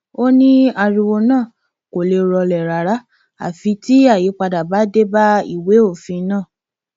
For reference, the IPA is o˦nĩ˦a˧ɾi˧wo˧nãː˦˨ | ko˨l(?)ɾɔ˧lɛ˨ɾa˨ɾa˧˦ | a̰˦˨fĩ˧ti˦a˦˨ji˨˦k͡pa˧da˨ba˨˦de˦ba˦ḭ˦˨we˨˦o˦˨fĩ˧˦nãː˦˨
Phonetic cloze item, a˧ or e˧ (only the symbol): e˧